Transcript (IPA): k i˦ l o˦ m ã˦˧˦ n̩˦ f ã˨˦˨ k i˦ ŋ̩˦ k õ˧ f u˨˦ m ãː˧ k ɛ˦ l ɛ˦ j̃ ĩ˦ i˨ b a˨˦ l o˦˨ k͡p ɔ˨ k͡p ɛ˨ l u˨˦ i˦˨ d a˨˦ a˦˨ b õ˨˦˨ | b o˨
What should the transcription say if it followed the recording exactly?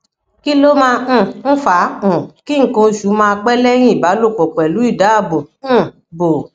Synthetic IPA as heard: k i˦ l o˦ m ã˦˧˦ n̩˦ f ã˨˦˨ k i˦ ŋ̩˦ k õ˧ ʃ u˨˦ m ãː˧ k͡p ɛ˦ l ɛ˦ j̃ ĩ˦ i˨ b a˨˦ l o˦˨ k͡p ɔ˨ k͡p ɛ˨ l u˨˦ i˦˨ d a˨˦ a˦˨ b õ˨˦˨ | b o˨